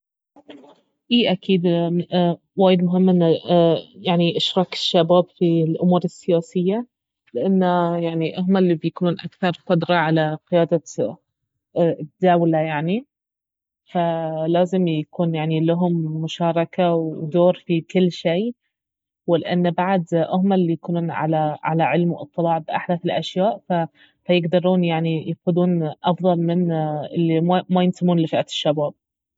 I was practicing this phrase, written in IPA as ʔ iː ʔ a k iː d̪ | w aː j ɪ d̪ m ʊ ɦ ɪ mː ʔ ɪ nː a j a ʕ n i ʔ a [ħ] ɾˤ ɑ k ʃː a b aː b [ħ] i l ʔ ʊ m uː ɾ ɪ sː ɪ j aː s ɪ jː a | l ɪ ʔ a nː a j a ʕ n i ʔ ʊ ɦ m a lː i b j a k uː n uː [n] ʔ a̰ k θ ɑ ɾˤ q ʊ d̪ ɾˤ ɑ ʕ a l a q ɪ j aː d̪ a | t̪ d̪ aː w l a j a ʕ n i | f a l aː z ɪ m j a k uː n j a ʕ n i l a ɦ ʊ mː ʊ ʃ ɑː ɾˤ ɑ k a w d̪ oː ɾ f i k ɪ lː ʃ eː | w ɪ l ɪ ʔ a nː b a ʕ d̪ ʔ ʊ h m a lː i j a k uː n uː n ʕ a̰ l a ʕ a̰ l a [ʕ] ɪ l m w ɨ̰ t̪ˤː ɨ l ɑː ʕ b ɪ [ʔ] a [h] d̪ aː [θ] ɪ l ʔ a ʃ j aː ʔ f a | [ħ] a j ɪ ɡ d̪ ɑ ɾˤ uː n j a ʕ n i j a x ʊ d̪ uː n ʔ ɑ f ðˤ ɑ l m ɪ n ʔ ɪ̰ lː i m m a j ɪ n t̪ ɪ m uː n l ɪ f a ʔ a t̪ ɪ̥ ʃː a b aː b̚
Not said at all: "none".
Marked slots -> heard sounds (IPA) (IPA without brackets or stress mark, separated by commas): ʃ, f, n, ʕ, ʔ, ħ, θ, f